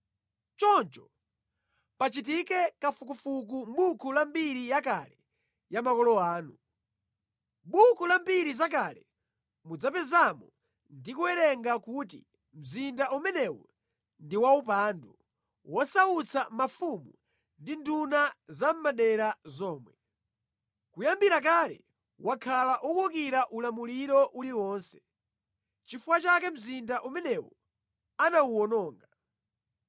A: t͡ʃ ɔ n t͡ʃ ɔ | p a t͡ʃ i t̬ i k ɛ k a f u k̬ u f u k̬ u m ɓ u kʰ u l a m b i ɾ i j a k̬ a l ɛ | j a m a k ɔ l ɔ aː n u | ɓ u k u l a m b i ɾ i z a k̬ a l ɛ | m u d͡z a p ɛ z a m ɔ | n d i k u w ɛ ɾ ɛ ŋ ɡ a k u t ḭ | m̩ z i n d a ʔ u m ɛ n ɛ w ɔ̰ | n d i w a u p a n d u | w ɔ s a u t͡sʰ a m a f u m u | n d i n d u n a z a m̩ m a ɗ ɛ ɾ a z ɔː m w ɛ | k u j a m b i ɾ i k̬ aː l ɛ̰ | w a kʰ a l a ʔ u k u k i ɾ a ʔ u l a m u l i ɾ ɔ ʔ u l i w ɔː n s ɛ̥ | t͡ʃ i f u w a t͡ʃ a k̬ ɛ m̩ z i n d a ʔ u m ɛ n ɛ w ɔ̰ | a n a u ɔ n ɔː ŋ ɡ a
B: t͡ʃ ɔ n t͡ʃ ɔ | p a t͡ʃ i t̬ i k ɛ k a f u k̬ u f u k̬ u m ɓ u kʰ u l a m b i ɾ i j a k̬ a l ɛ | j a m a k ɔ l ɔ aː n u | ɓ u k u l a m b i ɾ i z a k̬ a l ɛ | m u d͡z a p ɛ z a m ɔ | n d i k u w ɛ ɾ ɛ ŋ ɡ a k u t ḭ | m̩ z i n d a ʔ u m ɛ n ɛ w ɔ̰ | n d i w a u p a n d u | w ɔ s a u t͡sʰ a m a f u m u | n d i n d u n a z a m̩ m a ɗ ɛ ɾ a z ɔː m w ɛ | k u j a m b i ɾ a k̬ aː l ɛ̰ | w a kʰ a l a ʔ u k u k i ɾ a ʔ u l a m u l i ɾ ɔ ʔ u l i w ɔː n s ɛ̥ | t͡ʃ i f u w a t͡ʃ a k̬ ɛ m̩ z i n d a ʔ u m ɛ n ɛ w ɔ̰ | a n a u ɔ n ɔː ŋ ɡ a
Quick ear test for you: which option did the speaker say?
B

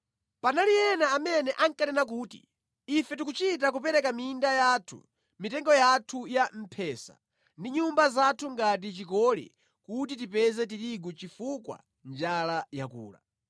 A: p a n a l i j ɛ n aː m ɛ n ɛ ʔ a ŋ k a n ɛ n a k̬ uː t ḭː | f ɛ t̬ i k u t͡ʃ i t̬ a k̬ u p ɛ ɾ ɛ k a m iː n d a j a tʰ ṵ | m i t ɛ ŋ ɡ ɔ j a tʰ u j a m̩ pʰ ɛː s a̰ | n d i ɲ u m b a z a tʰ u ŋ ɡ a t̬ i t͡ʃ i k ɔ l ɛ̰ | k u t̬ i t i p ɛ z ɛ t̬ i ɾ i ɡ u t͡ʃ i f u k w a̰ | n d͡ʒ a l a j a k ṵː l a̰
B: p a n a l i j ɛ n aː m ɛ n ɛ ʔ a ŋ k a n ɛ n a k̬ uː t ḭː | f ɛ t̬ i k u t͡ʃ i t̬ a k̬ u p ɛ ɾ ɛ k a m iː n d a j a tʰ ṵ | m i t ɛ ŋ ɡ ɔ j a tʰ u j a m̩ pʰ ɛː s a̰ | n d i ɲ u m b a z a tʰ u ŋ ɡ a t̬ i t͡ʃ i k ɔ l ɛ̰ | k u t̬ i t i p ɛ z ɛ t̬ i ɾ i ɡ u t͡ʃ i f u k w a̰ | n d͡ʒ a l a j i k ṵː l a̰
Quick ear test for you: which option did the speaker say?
A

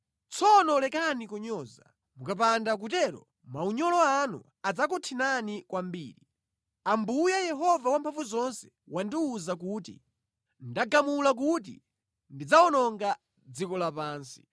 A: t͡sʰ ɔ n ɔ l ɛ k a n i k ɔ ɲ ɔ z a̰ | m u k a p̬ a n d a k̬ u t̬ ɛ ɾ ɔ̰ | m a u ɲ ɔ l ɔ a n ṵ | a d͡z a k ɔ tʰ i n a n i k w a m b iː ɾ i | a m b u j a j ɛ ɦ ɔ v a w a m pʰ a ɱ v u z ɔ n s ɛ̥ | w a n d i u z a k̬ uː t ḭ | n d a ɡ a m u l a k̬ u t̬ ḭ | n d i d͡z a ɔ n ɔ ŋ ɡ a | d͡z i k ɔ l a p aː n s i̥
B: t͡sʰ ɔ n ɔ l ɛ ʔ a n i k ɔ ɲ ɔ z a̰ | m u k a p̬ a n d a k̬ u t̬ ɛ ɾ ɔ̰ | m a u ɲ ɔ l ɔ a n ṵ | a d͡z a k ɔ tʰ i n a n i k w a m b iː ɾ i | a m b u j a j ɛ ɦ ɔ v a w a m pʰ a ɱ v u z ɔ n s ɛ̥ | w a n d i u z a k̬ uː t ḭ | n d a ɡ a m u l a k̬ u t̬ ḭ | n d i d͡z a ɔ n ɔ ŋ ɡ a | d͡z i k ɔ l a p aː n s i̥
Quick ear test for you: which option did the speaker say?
A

